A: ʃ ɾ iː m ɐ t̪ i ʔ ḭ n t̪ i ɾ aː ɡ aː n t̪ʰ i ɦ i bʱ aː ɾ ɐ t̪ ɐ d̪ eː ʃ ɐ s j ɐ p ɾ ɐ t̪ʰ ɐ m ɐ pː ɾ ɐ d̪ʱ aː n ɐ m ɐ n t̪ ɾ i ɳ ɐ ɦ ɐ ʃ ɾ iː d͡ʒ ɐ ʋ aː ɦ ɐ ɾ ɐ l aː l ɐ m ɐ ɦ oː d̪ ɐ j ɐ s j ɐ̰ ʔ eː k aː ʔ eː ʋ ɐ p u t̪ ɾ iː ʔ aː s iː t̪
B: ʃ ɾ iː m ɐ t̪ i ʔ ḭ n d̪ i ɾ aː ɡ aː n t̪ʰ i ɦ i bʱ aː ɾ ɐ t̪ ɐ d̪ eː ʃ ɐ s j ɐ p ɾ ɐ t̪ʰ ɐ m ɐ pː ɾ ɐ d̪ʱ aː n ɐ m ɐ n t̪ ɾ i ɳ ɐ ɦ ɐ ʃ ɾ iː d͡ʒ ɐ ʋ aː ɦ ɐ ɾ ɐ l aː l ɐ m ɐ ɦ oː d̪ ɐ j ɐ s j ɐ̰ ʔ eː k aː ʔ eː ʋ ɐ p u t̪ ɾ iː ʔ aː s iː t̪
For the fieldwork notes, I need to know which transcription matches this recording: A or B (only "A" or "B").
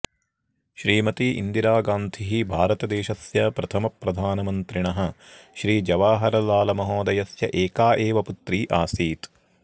B